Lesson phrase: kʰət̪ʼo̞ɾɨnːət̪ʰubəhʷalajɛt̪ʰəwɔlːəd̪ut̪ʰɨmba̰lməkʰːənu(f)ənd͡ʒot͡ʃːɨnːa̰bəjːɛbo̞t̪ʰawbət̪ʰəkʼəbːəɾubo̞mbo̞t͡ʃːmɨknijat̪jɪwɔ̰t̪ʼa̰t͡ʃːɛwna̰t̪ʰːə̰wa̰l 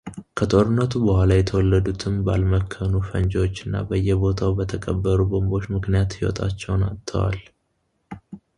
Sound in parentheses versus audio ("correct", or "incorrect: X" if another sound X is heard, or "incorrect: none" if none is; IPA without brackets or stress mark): correct